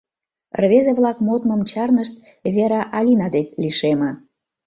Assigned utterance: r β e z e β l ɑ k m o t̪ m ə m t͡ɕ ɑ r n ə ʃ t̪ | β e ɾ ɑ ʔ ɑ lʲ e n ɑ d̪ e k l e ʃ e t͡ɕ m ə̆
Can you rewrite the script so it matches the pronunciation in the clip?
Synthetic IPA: r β e z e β l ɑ k m o t̪ m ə m t͡ɕ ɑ r n ə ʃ t̪ | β e ɾ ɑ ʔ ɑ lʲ i n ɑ d̪ e k l i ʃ e m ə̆